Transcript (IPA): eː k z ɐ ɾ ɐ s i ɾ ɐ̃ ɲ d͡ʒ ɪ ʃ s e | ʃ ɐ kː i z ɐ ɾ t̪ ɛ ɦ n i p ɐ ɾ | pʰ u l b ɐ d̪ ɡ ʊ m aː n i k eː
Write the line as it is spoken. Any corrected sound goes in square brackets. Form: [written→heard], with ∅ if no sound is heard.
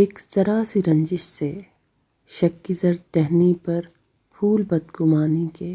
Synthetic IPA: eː k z ɐ ɾ [ɐ→a] s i ɾ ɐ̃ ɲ d͡ʒ ɪ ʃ s e | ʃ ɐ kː i z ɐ ɾ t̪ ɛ ɦ n i p ɐ ɾ | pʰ [u→uː] l b ɐ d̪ ɡ ʊ m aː n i k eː